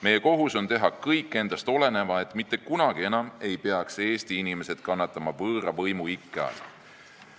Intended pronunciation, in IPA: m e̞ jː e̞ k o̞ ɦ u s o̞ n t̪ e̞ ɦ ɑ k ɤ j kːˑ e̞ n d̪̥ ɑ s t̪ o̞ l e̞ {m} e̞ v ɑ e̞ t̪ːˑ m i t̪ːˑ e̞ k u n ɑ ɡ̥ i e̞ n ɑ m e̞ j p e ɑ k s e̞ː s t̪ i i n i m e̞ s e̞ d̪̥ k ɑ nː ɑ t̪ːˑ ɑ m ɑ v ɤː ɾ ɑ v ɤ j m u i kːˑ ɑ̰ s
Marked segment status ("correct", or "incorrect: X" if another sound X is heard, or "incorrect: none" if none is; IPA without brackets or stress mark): incorrect: n